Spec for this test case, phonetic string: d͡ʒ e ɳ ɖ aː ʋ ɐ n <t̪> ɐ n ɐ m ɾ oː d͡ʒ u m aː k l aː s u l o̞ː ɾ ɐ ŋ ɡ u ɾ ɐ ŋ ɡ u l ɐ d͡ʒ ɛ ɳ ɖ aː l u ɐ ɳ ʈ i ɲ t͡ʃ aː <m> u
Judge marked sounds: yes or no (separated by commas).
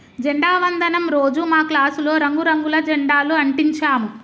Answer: no, yes